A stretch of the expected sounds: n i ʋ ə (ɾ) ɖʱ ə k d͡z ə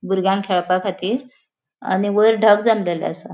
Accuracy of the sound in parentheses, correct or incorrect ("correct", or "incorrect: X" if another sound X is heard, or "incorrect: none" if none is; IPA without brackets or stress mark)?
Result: correct